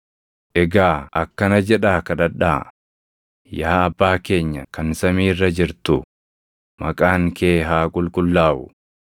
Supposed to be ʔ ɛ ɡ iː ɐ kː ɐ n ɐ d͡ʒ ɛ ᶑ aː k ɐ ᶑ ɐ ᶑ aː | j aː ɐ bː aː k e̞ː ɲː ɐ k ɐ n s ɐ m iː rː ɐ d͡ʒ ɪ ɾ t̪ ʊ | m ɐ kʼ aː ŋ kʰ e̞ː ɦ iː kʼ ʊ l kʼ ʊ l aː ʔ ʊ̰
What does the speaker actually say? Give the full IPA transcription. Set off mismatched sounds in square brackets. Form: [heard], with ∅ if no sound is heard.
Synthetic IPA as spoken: ʔ ɛ ɡ [aː] ɐ kː ɐ n ɐ d͡ʒ ɛ ᶑ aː k ɐ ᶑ ɐ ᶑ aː | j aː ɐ bː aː k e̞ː ɲː ɐ k ɐ n s ɐ m iː rː ɐ d͡ʒ ɪ ɾ t̪ ʊ | m ɐ kʼ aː ŋ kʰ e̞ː ɦ [aː] kʼ ʊ l kʼ ʊ [lː] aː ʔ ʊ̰